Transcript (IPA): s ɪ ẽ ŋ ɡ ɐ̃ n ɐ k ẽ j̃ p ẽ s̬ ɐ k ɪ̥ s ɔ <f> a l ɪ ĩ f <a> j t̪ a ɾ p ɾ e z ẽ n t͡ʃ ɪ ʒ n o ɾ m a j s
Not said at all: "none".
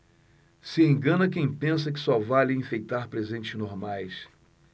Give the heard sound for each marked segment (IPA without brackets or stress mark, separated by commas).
v, e